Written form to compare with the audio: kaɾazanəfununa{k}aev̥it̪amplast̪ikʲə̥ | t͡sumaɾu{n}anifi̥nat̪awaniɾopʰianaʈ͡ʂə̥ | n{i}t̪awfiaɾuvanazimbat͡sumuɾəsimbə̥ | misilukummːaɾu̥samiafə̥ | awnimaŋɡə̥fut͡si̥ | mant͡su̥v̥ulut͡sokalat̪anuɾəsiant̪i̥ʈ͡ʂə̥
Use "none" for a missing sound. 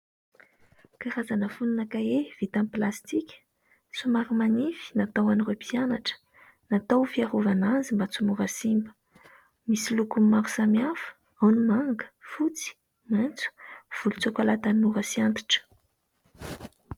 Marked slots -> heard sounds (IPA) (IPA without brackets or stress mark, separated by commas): k, m, a